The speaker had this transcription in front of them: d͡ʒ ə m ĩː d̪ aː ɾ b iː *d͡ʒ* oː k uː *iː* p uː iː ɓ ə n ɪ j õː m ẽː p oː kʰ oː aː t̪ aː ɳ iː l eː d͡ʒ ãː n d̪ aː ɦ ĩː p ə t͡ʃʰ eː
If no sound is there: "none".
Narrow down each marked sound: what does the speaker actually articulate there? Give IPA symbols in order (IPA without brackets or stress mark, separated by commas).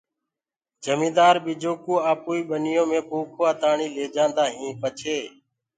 d͡ʒ, aː